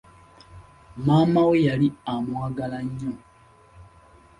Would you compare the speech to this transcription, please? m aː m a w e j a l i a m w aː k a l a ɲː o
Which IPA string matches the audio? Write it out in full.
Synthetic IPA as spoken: m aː m a w e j a l i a m w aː ɡ a l a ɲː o

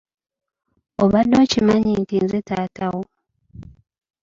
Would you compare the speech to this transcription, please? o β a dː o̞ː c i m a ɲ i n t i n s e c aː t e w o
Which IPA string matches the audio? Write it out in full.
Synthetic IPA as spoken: o β a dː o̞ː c i m a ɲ i n t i n z e t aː t a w o

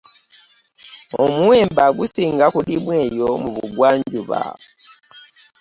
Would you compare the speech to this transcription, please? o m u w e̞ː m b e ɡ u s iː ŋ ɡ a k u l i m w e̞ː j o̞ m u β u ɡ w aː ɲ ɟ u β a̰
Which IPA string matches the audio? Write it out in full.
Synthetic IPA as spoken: o m u w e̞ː m b a ɡ u s iː ŋ ɡ a k u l i m w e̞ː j o̞ m u β u ɡ w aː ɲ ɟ u β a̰

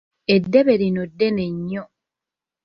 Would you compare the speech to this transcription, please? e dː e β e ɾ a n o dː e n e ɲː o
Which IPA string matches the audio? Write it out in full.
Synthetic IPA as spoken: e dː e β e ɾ i n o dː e n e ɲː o

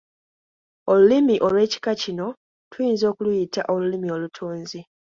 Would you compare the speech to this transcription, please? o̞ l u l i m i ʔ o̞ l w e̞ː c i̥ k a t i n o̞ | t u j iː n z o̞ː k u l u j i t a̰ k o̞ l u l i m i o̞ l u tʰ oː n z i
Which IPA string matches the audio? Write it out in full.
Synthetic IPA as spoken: o̞ l u l i m i ʔ o̞ l w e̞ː c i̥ k a c i n o̞ | t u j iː n z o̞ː k u l u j i t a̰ ʔ o̞ l u l i m i o̞ l u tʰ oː n z i

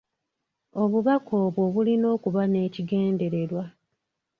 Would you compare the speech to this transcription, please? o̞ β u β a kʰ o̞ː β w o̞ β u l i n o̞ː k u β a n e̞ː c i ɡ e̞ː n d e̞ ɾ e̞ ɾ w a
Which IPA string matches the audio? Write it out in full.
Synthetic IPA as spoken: o̞ β u β a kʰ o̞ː β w o̞ β u l i n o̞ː k u β a n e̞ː c i ɡ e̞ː n d e̞ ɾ e̞ ɾ w a

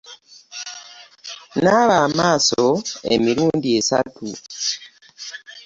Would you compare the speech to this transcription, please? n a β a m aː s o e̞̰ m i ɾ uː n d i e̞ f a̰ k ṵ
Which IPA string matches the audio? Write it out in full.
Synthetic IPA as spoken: n a β a m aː s o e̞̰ m i ɾ uː n d i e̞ s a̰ t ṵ

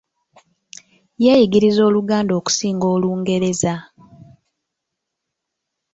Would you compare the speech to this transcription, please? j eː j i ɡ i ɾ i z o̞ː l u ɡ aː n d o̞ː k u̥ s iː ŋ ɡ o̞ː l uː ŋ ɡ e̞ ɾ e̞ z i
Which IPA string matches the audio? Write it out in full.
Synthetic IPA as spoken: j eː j i ɡ i ɾ i z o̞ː l u ɡ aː n d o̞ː k u̥ s iː ŋ ɡ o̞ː l uː ŋ ɡ e̞ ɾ e̞ z a

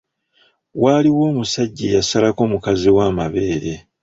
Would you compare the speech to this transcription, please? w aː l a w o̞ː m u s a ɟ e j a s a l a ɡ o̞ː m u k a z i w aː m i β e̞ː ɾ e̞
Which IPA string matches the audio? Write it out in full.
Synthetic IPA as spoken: w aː l i w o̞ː m u s a ɟː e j a s a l a k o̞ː m u k a z i w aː m a β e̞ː ɾ e̞

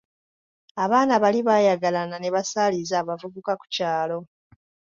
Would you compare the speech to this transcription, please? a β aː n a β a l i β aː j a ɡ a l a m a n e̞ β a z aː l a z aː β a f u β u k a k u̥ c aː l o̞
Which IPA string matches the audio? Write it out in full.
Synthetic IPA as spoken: a β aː n a β a l i β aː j a ɡ a l a n a n e̞ β a s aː l i z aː β a v u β u k a k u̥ c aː l o̞

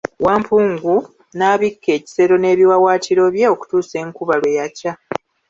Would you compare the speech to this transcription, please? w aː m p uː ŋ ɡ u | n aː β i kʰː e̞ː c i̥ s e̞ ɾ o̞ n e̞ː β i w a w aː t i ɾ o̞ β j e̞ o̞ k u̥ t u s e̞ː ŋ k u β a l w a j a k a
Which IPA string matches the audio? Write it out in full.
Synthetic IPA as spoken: w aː m p uː ŋ ɡ u | n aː β i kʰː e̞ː c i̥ s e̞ ɾ o̞ n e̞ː β i w a w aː t i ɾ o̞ β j e̞ o̞ k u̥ t uː s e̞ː ŋ k u β a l w e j a c a

